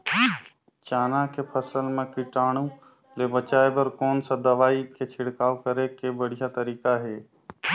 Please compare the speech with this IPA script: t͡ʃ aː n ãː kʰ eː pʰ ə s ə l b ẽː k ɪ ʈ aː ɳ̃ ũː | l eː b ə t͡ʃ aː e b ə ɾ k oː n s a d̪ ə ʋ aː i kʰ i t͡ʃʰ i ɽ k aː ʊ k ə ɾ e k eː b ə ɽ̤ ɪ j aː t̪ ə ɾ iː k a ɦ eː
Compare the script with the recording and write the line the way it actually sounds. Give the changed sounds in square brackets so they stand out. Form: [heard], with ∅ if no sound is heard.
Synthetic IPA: t͡ʃ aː n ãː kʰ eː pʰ ə s ə l [m] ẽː k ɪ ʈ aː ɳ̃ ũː | l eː b ə t͡ʃ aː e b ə ɾ k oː n s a d̪ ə ʋ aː i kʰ [e] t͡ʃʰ [ɪ] ɽ k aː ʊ k ə ɾ e k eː b ə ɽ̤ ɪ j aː t̪ ə ɾ iː k a ɦ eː

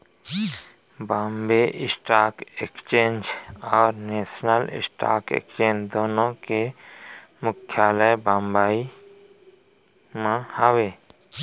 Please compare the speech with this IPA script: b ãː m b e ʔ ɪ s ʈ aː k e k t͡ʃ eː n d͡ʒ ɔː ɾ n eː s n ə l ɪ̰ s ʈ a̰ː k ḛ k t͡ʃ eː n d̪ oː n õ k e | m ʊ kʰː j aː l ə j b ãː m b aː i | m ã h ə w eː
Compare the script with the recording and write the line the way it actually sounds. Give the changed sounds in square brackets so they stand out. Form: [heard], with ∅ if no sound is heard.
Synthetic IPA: b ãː m b e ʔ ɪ s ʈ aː k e k t͡ʃ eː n d͡ʒ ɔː ɾ n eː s n ə l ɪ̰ s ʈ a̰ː k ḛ k t͡ʃ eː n d̪ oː n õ k e | m ʊ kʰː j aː l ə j b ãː m b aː i | m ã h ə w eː

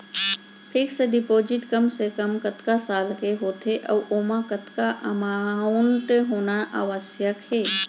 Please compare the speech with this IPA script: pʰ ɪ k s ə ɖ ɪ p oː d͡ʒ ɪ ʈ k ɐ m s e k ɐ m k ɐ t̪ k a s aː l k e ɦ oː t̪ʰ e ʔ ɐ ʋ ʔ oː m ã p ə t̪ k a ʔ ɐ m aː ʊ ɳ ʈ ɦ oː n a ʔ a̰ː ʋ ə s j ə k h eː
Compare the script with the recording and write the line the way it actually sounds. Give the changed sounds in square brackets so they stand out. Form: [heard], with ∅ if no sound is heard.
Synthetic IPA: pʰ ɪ k s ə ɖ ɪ p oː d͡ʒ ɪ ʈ k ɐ m s e k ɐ m k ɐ t̪ k a s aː l k e ɦ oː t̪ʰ e ʔ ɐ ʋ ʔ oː m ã [k] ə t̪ k a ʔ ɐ m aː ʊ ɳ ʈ ɦ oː n a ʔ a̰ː ʋ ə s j ə k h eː

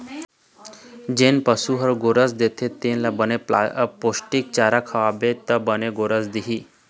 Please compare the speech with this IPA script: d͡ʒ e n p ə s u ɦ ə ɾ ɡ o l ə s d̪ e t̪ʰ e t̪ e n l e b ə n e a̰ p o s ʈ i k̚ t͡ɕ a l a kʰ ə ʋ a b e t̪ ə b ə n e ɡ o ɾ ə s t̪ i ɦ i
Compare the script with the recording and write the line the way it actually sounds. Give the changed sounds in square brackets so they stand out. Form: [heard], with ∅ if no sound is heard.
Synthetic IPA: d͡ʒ e n p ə s u ɦ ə ɾ ɡ o [ɾ] ə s d̪ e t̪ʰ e t̪ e n l [a] b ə n e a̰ p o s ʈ i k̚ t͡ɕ a [ɾ] a kʰ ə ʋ a b e t̪ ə b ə n e ɡ o ɾ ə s [d̪] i ɦ i

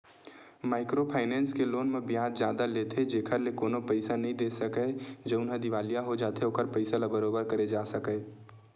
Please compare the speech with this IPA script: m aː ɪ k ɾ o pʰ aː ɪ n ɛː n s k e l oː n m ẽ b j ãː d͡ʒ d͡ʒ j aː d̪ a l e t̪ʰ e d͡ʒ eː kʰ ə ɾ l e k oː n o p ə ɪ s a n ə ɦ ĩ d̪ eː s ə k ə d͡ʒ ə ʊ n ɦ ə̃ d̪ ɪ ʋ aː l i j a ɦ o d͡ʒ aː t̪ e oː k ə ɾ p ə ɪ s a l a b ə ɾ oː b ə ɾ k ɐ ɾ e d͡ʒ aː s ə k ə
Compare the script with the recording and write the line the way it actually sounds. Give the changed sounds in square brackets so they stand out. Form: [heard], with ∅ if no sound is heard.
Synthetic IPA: m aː ɪ k ɾ o pʰ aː ɪ n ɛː n s k e l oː n m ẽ b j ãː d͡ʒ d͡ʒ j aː d̪ a l e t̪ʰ e d͡ʒ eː kʰ ə ɾ l e k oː n o p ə ɪ s a n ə ɦ ĩ d̪ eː s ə k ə d͡ʒ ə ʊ n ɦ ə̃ d̪ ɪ ʋ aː l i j a ɦ o d͡ʒ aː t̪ e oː k ə ɾ p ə ɪ s a l a b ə ɾ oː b ə ɾ k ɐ ɾ e d͡ʒ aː s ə k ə

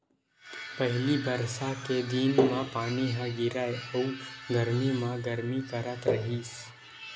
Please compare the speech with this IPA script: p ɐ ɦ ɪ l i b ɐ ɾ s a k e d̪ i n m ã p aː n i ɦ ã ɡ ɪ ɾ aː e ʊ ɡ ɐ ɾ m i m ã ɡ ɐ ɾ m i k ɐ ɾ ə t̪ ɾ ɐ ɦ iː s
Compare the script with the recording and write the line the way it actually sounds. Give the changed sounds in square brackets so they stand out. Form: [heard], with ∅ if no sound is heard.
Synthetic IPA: p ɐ ɦ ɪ l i b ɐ ɾ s a k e d̪ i n m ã p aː n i ɦ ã ɡ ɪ ɾ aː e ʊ ɡ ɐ ɾ m i m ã ɡ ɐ ɾ m i k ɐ ɾ ə t̪ ɾ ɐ ɦ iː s

